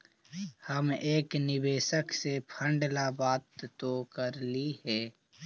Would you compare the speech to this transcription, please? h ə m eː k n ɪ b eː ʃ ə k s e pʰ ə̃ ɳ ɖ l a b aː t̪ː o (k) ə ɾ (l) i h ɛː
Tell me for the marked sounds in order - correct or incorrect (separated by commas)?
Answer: correct, correct